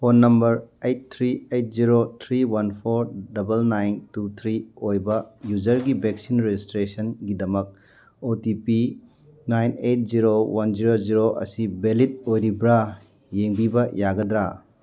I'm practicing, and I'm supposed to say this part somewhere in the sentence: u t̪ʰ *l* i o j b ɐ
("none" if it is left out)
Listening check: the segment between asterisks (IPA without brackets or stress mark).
ɾ